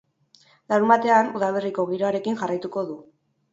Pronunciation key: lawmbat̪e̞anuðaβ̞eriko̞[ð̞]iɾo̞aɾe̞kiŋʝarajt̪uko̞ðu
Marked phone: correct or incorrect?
incorrect